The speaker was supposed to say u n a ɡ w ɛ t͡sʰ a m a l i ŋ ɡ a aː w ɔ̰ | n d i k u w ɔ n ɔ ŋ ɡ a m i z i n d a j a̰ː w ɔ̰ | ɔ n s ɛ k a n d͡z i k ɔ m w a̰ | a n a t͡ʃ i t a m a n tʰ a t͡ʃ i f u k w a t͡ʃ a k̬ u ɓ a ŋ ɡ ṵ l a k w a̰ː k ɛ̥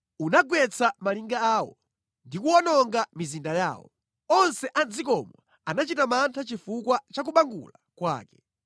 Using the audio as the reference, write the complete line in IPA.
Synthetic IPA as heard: u n a ɡ w ɛ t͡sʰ a m a l i ŋ ɡ a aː w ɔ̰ | n d i k u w ɔ n ɔ ŋ ɡ a m i z i n d a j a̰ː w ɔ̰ | ɔ n s ɛ ʔ a n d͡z i k ɔ m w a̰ | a n a t͡ʃ i t a m a n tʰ a t͡ʃ i f u k w a t͡ʃ a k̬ u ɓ a ŋ ɡ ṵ l a k w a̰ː k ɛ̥